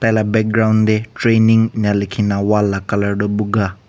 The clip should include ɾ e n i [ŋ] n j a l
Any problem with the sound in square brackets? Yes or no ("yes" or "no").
no